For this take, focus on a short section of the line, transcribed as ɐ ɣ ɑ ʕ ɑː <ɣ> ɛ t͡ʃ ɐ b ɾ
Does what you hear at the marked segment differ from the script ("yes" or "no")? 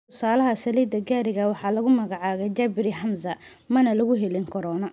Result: no